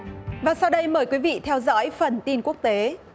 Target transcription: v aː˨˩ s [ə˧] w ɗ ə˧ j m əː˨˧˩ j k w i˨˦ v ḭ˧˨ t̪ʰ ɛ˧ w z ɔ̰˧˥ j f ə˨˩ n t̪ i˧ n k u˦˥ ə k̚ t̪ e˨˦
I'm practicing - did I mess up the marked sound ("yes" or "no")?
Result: yes